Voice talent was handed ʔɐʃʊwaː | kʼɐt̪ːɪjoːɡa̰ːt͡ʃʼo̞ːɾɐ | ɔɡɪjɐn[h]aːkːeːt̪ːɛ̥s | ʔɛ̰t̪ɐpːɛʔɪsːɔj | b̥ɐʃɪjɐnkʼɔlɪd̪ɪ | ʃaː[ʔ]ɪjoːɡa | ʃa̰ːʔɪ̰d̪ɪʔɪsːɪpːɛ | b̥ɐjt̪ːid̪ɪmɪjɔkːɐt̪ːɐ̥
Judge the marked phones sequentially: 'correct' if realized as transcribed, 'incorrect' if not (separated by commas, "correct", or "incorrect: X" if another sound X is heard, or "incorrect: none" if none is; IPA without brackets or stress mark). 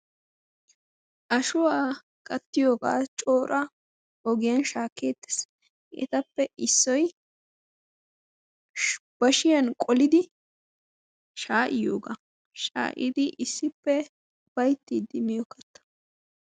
incorrect: ʃ, correct